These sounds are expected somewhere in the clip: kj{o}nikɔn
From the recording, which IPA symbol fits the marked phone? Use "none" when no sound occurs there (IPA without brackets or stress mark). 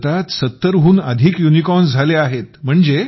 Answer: u